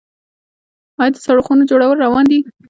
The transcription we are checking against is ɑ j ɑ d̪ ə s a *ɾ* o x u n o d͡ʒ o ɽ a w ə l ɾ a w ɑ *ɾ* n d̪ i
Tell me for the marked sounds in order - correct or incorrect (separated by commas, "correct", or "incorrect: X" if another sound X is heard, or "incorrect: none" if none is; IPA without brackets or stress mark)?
incorrect: ɽ, incorrect: none